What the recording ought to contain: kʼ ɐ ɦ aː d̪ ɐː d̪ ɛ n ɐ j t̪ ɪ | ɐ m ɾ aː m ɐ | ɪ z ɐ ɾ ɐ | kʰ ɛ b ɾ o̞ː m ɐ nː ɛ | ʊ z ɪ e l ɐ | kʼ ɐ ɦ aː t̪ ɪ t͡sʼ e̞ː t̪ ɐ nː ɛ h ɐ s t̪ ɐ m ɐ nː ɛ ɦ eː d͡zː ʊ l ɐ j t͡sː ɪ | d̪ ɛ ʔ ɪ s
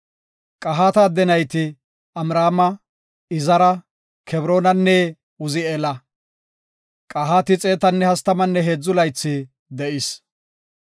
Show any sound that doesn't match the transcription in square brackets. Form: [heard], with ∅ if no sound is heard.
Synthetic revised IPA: kʼ ɐ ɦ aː [t̪] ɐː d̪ ɛ n ɐ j t̪ ɪ | ɐ m ɾ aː m ɐ | ɪ z ɐ ɾ ɐ | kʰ ɛ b ɾ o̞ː [n] ɐ nː ɛ | ʊ z ɪ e l ɐ | kʼ ɐ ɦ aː t̪ ɪ t͡sʼ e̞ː t̪ ɐ nː ɛ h ɐ s t̪ ɐ m ɐ nː ɛ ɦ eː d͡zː ʊ l ɐ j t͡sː ɪ | d̪ ɛ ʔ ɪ s